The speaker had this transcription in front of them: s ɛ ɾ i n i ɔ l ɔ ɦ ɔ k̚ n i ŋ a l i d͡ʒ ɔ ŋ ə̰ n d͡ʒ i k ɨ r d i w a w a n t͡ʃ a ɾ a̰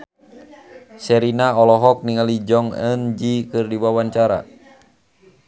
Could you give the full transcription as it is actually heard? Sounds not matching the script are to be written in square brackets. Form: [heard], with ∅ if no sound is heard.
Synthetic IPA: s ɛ ɾ i n [a] ɔ l ɔ ɦ ɔ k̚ n i ŋ a l i d͡ʒ ɔ ŋ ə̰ n d͡ʒ i k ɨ r d i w a w a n t͡ʃ a ɾ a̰

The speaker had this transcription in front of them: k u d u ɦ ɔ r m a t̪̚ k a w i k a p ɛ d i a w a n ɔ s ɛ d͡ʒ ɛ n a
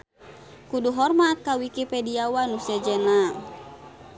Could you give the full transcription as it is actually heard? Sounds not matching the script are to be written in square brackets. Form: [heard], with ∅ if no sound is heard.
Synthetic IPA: k u d u ɦ ɔ r m a t̪̚ k a w i k [i] p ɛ d i a w a n [u] s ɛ d͡ʒ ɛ n a

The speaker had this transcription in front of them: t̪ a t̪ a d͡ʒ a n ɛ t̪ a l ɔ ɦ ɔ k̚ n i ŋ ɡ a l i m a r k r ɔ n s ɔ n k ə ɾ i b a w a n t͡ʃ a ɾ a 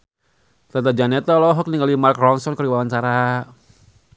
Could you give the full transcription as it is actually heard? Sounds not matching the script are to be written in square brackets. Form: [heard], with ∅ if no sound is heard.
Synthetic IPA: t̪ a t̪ a d͡ʒ a n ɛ t̪ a l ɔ ɦ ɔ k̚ n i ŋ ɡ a l i m a r k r ɔ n s ɔ n k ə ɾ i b a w a n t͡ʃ a ɾ a

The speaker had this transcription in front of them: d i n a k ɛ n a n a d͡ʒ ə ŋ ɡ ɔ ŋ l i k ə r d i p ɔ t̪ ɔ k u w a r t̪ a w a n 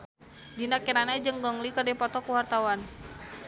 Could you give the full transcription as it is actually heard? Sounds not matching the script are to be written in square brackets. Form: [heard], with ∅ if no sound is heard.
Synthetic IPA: d i n a k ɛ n a n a d͡ʒ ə ŋ ɡ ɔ ŋ l i k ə r d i p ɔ t̪ ɔ k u w a r t̪ a w a n

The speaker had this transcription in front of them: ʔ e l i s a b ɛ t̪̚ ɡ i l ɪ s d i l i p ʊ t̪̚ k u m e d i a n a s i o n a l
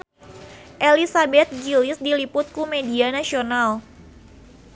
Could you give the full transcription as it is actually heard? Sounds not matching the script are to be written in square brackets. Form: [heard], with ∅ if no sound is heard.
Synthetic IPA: ʔ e l i s a b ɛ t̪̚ ɡ i l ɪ s d i l i p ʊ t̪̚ k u m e d i a n a s i o n a l

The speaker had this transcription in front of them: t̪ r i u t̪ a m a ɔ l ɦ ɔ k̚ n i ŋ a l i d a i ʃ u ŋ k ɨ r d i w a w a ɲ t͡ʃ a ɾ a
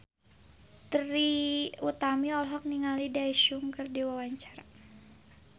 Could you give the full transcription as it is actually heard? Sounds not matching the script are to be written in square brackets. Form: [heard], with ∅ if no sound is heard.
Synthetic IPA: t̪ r i u t̪ a m [i] ɔ l ɦ ɔ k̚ n i ŋ a l i d a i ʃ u ŋ k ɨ r d i w a w a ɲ t͡ʃ a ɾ a

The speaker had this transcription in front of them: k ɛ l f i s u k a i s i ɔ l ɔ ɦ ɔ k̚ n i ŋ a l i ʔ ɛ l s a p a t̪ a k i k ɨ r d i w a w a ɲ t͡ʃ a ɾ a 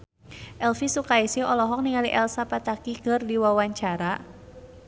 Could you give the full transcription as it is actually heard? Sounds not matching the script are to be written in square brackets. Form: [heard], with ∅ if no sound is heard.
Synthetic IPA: [ʔ] ɛ l f i s u k a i s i ɔ l ɔ ɦ ɔ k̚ n i ŋ a l i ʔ ɛ l s a p a t̪ a k i k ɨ r d i w a w a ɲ t͡ʃ a ɾ a

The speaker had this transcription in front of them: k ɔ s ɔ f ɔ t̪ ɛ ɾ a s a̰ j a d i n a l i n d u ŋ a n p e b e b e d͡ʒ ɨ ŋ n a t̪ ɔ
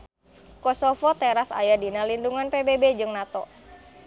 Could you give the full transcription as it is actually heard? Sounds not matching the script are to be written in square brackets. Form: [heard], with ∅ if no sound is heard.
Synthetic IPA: k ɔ s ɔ f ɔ t̪ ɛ ɾ a s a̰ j a d i n a l i n d u ŋ a n p e b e b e d͡ʒ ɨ ŋ n a t̪ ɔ

